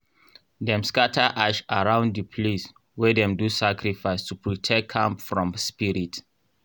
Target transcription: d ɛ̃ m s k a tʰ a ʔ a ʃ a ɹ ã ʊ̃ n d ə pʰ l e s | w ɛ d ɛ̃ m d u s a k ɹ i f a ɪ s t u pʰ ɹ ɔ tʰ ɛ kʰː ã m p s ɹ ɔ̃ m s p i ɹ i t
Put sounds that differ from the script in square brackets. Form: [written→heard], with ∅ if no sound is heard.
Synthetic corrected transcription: d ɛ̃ m s k a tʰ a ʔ a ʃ a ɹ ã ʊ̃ n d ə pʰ l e s | w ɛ d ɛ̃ m d u s a k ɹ i f a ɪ s t u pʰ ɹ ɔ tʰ ɛ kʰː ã m p [s→f] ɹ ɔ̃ m s p i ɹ i t